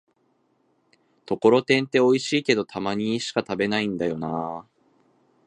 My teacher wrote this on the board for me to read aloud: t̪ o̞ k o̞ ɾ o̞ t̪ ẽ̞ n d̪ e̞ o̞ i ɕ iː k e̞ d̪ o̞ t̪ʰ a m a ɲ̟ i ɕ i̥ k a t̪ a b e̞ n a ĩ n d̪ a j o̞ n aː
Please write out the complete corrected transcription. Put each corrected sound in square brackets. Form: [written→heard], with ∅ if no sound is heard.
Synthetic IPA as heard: t̪ o̞ k o̞ ɾ o̞ t̪ ẽ̞ n [d̪→t̪] e̞ o̞ i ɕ iː k e̞ d̪ o̞ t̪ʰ a m a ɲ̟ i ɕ i̥ k a t̪ a b e̞ n a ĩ n d̪ a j o̞ n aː